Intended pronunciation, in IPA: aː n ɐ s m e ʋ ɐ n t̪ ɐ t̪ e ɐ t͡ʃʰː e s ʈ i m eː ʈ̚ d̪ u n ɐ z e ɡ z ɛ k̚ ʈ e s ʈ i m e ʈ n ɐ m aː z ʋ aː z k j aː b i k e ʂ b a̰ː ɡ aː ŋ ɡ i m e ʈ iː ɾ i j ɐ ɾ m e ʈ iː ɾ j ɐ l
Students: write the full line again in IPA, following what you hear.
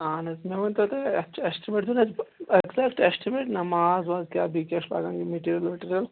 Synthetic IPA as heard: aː n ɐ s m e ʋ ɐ n t̪ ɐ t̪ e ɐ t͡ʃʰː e s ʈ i m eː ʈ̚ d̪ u n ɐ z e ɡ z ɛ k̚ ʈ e s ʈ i m e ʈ n ɐ m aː z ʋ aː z k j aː b i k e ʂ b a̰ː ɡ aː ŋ ɡ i m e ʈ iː ɾ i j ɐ l m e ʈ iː ɾ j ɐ l